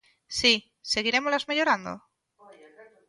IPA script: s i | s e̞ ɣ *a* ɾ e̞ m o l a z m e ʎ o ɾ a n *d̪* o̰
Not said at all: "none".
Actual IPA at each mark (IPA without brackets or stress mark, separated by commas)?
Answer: i, d̪